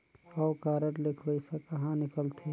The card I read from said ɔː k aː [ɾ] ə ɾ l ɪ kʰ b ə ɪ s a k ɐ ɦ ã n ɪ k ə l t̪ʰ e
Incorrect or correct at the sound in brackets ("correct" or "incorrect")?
correct